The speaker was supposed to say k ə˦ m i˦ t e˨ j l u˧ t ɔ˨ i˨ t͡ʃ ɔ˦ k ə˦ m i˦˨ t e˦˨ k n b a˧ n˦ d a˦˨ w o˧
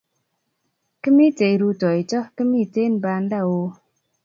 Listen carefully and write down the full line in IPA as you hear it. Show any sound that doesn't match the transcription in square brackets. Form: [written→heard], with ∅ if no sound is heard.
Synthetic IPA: k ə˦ m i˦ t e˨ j [l→ɾ] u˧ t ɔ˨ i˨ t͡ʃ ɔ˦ k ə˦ m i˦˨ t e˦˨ [k→∅] n b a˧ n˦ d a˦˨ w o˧